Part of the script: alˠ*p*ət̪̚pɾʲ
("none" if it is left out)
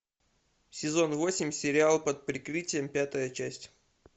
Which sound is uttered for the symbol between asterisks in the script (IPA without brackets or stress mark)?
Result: p